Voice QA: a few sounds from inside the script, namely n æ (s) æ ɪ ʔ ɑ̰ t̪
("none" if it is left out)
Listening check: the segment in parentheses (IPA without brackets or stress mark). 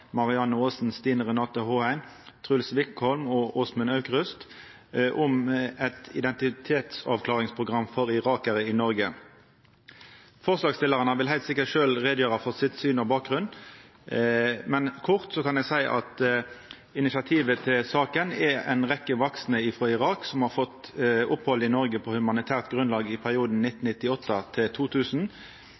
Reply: s